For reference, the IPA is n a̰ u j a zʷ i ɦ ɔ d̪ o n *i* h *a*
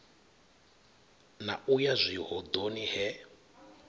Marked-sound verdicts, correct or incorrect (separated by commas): correct, incorrect